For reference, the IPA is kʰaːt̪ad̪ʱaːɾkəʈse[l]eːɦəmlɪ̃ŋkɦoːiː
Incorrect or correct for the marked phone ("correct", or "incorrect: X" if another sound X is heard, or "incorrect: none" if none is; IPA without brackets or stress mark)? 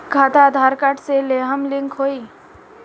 correct